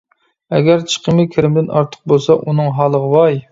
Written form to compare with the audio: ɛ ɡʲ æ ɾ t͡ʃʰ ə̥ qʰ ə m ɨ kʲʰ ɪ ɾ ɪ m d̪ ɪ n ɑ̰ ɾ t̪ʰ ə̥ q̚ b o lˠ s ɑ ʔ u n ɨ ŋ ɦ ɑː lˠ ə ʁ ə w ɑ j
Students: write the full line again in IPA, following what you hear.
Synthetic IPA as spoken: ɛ ɡʲ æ ɾ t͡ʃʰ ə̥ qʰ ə m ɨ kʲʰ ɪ ɾ ɪ m d̪ ɪ n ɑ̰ ɾ t̪ʰ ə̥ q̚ b o lˠ s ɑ ʔ u n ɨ ŋ ɦ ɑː lˠ ə ʁ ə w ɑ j